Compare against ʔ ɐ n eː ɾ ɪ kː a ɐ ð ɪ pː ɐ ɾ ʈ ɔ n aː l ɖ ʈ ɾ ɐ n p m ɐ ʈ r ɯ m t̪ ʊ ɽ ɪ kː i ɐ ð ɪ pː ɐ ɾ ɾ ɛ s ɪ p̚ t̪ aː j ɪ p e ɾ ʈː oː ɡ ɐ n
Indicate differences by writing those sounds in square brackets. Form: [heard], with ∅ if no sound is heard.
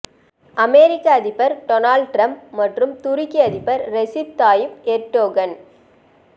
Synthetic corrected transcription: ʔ ɐ [m] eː ɾ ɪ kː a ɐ ð ɪ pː ɐ ɾ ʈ ɔ n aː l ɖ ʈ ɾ ɐ [m] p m ɐ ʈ r ɯ m t̪ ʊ [ɾ] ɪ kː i ɐ ð ɪ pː ɐ ɾ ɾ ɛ s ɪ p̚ t̪ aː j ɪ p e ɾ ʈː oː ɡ ɐ n